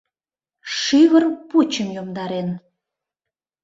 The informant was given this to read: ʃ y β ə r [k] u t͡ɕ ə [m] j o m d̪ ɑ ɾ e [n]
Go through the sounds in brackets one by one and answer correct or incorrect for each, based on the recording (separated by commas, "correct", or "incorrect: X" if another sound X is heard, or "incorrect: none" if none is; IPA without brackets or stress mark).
incorrect: p, correct, correct